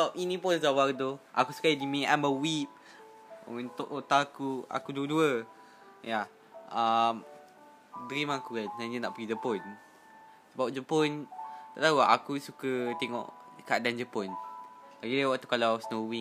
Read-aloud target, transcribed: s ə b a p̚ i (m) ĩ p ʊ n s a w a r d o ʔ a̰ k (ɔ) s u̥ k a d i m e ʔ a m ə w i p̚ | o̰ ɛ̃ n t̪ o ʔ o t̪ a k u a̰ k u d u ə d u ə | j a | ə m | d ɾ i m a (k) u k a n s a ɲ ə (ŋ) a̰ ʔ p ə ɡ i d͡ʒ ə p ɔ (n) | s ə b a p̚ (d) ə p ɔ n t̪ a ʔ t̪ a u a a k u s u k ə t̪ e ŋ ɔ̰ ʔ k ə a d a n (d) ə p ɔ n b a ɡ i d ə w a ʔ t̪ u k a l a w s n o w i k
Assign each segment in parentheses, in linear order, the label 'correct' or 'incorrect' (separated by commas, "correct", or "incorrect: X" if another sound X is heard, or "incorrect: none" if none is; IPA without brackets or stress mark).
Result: incorrect: n, incorrect: u, correct, incorrect: n, correct, incorrect: d͡ʒ, incorrect: d͡ʒ